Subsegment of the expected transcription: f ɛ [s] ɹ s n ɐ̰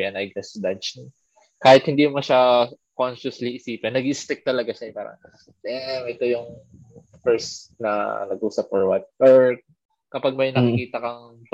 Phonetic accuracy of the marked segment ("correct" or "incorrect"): incorrect